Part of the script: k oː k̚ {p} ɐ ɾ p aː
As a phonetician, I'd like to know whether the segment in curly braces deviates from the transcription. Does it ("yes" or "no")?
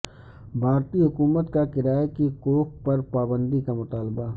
no